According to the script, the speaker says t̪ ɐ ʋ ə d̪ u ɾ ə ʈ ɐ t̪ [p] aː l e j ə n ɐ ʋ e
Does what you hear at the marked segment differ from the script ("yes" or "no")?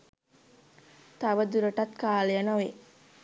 yes